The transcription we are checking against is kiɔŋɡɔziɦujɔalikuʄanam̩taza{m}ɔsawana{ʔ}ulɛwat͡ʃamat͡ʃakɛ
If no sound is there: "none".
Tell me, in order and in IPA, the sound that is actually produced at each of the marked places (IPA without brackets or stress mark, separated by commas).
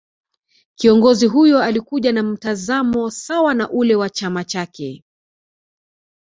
m, ʔ